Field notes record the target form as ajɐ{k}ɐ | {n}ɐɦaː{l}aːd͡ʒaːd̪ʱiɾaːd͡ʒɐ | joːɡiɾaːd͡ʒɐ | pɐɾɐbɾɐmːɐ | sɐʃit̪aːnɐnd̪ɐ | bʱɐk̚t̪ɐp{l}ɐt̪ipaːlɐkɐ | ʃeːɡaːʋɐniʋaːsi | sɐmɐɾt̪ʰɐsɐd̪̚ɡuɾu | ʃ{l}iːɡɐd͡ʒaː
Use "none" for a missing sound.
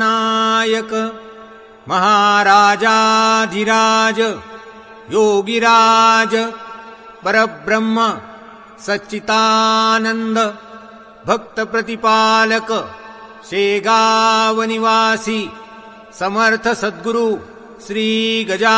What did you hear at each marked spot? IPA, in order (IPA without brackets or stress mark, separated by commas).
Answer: k, m, ɾ, ɾ, ɾ